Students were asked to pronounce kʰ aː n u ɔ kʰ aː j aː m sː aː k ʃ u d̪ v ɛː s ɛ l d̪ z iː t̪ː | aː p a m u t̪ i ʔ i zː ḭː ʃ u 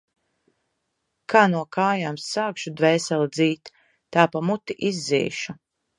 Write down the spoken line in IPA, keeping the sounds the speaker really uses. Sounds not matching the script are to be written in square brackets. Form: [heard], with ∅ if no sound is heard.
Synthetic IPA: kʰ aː n u ɔ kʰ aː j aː m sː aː k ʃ u d̪ v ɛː s ɛ l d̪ z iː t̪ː | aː p a m u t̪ i ʔ i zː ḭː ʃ u